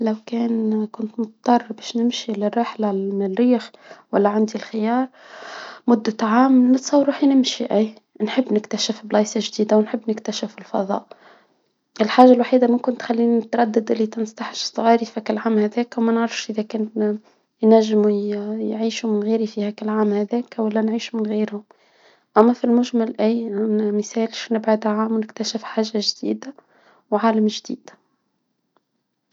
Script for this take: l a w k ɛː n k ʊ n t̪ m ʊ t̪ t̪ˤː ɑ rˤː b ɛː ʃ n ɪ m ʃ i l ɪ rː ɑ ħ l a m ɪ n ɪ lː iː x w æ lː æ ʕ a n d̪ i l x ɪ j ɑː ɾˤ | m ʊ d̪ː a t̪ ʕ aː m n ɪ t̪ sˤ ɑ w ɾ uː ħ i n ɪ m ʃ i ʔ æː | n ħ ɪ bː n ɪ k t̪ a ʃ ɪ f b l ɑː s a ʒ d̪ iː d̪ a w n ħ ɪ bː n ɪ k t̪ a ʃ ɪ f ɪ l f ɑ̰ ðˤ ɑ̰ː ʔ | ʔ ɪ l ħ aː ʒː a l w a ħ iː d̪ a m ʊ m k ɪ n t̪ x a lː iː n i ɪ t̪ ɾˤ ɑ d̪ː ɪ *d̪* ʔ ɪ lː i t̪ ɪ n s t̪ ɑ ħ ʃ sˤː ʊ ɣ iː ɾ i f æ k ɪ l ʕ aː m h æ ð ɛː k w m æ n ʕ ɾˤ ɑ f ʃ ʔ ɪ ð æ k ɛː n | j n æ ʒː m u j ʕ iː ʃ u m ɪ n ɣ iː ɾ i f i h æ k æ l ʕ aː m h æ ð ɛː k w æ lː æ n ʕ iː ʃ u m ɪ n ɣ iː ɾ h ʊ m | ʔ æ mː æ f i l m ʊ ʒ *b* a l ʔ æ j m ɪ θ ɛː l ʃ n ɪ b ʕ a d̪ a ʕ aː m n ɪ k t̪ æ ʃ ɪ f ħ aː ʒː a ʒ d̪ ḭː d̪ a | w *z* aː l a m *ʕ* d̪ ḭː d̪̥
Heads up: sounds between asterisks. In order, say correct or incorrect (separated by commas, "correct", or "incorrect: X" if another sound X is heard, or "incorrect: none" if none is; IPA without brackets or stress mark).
correct, incorrect: m, incorrect: ʕ, incorrect: ʒ